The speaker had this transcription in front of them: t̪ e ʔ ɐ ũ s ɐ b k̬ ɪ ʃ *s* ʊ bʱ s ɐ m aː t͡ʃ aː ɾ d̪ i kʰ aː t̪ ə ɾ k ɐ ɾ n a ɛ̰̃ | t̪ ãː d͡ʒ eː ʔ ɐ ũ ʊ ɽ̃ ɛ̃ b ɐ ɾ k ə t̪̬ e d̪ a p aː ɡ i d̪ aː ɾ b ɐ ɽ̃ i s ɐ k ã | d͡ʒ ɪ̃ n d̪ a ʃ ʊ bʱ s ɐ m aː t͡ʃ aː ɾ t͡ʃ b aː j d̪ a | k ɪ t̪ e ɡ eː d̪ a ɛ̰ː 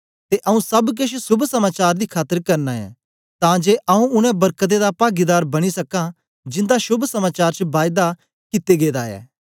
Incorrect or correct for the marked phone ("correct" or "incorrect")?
correct